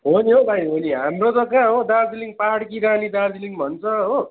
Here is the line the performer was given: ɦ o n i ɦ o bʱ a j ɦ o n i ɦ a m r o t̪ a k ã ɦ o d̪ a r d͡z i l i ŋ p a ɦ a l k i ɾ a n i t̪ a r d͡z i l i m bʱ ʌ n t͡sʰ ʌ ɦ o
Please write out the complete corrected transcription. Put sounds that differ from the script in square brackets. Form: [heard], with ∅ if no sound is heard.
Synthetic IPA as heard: ɦ o n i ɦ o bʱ a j ɦ o n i ɦ a m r o t̪ [ʌ] k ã ɦ o d̪ a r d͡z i l i ŋ p a ɦ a [ɽ] k i ɾ a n i [d̪] a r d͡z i l i [ŋ] bʱ ʌ n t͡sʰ ʌ ɦ o